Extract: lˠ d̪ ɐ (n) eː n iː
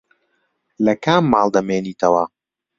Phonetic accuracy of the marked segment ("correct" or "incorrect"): incorrect